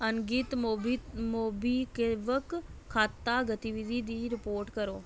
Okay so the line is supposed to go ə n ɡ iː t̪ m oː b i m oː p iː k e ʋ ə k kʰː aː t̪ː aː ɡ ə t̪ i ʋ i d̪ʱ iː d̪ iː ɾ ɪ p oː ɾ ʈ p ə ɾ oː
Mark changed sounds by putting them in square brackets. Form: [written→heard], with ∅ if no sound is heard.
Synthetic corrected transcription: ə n ɡ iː t̪ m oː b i m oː [p→b] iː k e ʋ ə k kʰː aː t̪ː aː ɡ ə t̪ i ʋ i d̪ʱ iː d̪ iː ɾ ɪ p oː ɾ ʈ [p→k] ə ɾ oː